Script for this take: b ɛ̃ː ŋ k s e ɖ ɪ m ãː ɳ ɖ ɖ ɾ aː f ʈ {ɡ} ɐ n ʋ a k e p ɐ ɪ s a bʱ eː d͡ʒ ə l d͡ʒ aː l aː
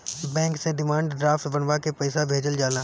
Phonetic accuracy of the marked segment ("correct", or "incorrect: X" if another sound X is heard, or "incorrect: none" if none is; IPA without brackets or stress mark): incorrect: b